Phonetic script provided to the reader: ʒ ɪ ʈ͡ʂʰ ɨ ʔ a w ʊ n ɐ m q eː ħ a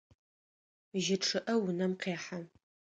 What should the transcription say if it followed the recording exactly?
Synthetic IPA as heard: ʒ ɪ ʈ͡ʂʰ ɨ ʔ ɐ w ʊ n ɐ m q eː ħ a